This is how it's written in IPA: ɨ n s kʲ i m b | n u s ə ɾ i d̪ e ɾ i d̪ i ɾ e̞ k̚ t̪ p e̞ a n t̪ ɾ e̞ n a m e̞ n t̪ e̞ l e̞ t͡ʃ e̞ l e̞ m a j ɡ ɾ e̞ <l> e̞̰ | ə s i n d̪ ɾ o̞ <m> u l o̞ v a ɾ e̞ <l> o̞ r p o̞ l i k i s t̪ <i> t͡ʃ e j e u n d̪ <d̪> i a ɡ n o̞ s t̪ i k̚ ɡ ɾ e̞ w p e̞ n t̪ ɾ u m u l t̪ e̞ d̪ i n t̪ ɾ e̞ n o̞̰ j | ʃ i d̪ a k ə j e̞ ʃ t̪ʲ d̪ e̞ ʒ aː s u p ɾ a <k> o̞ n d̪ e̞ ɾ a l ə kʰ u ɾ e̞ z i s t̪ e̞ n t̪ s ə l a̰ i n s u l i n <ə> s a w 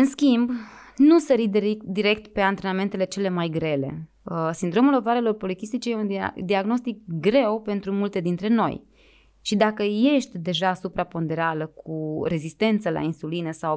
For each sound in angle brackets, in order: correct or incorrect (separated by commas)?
correct, correct, correct, correct, correct, incorrect, correct